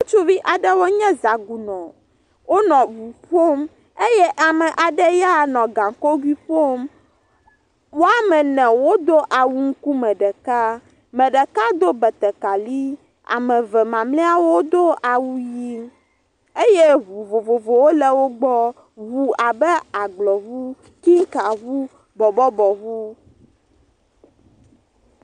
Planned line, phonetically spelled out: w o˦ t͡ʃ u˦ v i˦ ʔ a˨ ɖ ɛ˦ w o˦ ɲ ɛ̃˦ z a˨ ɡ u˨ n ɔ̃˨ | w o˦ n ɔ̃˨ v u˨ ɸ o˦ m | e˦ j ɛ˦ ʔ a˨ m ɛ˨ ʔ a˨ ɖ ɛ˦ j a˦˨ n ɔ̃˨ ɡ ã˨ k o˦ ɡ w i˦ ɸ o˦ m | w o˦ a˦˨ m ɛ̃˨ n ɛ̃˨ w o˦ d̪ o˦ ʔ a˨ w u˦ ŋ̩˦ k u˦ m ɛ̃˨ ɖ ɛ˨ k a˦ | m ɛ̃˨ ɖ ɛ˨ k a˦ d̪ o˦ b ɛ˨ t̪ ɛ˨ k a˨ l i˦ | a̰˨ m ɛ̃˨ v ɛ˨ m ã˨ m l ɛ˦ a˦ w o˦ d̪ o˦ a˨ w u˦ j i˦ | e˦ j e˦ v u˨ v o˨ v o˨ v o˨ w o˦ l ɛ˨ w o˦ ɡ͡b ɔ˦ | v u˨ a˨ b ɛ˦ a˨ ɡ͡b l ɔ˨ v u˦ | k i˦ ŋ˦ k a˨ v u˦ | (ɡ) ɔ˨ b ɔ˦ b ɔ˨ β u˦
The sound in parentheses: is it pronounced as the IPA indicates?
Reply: no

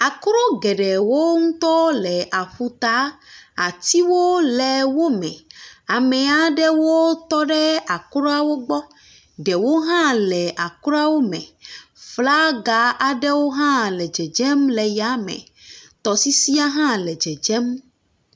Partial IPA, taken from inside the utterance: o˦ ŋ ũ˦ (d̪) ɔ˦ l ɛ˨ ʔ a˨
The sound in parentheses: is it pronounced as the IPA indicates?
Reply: no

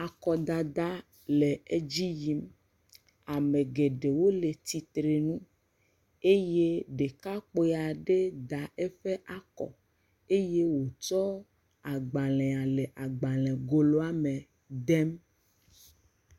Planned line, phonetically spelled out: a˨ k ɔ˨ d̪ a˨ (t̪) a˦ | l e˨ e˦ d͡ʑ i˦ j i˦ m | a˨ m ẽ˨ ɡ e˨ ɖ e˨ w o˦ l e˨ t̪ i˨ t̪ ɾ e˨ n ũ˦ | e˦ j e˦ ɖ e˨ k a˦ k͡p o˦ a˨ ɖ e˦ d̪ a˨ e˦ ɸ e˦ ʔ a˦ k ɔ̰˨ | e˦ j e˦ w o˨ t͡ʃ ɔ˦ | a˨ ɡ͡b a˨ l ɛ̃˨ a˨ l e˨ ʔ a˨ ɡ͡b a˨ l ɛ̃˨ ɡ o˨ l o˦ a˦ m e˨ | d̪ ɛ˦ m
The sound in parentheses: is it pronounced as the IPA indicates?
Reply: no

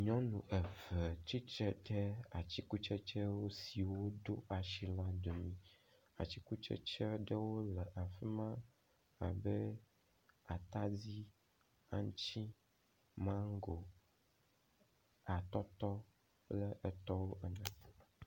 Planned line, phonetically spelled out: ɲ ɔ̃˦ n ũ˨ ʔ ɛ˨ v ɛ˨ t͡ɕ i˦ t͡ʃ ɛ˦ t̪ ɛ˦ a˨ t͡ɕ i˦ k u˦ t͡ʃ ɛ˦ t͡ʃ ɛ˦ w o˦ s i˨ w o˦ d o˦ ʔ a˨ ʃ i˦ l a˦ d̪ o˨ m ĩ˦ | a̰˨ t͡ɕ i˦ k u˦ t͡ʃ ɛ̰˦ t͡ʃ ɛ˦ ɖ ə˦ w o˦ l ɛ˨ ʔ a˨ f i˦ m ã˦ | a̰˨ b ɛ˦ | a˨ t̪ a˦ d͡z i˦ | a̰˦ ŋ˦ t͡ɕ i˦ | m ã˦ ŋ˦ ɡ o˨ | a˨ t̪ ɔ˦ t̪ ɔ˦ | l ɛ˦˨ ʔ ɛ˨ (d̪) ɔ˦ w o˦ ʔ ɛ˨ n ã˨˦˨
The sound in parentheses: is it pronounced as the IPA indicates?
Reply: no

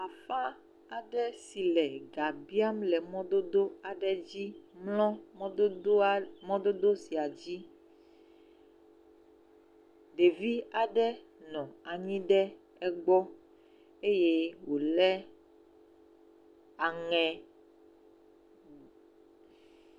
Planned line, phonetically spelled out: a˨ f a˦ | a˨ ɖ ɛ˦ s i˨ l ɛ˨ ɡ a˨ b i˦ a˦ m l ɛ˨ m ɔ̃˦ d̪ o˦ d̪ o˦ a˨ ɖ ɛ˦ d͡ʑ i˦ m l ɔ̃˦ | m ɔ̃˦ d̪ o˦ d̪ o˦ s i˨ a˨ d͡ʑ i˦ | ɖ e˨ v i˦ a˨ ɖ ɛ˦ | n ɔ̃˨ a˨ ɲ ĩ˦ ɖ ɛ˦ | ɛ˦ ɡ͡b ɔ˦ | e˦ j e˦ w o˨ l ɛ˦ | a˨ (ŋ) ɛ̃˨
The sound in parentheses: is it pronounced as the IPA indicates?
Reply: yes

